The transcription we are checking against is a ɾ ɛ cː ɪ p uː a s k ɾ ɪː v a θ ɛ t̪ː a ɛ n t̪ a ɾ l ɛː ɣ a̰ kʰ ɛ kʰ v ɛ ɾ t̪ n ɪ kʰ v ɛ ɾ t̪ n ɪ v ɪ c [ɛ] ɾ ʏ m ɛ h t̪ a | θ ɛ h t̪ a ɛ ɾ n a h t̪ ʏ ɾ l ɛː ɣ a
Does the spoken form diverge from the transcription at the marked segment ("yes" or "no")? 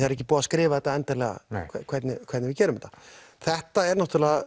yes